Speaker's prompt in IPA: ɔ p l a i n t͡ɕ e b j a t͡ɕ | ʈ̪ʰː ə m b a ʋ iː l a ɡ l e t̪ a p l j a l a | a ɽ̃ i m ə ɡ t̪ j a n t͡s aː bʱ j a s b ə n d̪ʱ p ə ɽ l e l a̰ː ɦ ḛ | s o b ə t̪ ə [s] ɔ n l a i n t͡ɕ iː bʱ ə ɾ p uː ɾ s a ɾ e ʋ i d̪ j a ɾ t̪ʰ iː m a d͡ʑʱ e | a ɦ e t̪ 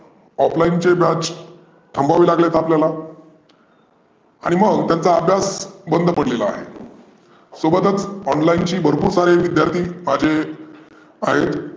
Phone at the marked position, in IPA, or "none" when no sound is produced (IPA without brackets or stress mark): t͡s